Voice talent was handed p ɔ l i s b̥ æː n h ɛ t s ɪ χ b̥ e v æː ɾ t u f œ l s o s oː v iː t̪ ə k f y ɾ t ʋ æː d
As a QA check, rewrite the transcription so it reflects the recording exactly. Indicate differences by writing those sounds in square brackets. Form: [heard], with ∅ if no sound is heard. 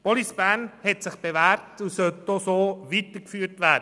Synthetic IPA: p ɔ l i s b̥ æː n h ɛ t s ɪ χ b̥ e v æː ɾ t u [s] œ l [t] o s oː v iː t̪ ə k f [yː] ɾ t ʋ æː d